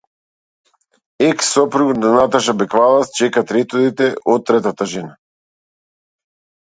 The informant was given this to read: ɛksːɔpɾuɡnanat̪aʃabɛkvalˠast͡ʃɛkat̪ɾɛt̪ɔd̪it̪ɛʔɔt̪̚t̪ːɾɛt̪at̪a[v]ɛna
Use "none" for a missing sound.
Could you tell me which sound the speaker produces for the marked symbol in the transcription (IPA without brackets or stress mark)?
ʒ